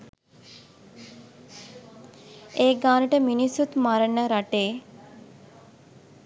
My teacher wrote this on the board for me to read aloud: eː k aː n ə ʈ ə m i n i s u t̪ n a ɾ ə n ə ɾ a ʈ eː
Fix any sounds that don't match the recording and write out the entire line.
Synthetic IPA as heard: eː ɡ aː n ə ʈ ə m i n i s u t̪ m a ɾ ə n ə ɾ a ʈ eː